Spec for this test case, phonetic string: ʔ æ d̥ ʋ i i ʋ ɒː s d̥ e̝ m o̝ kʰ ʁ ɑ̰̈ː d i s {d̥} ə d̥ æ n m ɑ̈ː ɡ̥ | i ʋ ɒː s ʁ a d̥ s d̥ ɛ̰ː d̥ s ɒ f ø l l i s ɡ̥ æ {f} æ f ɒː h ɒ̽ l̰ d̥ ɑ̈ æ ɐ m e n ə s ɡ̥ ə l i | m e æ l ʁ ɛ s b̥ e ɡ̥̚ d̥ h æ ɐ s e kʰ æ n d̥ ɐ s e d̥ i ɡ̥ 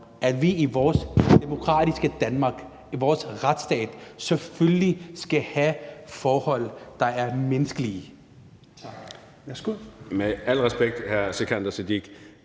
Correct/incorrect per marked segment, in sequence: incorrect, incorrect

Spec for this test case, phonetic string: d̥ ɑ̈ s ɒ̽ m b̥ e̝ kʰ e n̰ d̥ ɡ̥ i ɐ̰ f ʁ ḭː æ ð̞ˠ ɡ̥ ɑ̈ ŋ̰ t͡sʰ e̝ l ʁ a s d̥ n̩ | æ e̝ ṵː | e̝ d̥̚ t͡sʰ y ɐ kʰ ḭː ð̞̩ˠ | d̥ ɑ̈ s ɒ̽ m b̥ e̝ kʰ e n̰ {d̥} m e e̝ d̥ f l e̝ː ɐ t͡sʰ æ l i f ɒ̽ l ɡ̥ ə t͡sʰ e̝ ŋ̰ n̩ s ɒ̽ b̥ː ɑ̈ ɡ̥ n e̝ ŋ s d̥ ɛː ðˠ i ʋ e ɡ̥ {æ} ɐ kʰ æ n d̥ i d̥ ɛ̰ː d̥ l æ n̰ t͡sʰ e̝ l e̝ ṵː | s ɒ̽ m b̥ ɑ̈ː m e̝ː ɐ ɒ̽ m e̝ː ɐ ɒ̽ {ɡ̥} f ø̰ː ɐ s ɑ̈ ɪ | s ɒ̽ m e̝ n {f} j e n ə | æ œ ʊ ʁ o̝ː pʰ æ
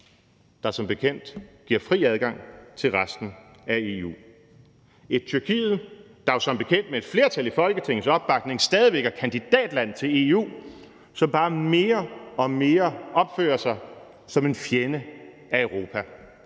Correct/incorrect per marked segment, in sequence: correct, correct, incorrect, correct

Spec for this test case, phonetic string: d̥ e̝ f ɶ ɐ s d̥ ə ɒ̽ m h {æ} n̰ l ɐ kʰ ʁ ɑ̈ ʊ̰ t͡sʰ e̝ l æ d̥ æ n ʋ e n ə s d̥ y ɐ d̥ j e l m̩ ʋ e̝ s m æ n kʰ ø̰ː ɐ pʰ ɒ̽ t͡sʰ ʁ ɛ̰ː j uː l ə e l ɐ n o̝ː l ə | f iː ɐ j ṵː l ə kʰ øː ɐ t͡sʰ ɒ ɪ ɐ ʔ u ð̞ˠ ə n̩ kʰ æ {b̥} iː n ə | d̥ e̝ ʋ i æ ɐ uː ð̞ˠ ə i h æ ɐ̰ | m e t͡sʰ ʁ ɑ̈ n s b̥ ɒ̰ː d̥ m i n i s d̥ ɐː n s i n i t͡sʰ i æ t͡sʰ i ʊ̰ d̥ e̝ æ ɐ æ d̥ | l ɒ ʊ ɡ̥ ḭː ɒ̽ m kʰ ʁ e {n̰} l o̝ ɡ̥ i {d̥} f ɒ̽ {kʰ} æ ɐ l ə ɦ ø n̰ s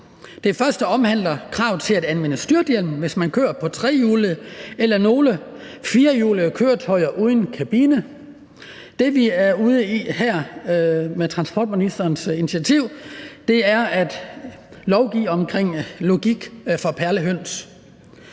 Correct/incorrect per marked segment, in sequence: correct, correct, incorrect, incorrect, incorrect

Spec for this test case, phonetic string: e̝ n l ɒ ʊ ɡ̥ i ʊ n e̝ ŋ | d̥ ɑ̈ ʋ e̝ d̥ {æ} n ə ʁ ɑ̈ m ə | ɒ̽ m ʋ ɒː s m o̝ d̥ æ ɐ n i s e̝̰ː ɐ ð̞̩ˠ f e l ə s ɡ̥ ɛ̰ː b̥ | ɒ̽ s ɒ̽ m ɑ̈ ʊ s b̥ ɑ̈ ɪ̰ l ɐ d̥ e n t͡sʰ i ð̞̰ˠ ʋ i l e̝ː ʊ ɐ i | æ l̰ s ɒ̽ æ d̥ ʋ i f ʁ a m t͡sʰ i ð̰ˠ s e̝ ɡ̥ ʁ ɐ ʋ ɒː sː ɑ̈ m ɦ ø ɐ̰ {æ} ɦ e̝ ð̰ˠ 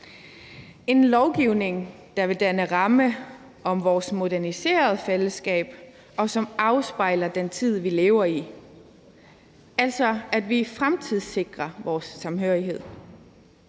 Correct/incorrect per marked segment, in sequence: correct, incorrect

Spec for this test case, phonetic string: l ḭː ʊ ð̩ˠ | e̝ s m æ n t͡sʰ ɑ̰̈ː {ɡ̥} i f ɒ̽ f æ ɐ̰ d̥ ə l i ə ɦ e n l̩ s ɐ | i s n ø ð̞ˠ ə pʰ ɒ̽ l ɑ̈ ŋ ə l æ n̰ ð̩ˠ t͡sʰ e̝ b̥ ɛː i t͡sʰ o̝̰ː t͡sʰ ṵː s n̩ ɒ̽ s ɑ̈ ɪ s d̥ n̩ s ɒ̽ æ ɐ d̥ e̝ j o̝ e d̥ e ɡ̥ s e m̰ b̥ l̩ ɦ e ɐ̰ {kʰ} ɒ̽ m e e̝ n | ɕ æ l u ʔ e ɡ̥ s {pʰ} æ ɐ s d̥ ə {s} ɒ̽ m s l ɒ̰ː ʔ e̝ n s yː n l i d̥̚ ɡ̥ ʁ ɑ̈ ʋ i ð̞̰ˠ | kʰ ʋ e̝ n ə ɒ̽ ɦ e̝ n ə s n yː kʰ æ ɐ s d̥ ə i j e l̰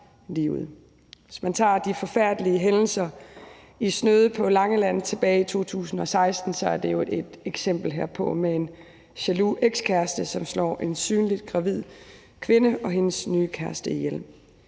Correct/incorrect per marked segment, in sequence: incorrect, incorrect, incorrect, correct

